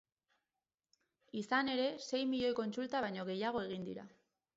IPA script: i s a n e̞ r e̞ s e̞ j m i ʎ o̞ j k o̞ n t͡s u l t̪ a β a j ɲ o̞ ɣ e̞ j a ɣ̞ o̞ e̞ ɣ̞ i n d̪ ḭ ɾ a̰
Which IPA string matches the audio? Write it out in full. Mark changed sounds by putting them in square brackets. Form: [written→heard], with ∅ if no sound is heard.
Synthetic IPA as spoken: i s a n e̞ [r→ɾ] e̞ s e̞ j m i ʎ o̞ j k o̞ n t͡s u l t̪ a β a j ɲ o̞ ɣ e̞ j a ɣ̞ o̞ e̞ ɣ̞ i n d̪ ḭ ɾ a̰